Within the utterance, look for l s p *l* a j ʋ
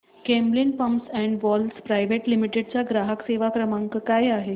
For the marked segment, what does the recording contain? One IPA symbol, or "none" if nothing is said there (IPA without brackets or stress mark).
ɾ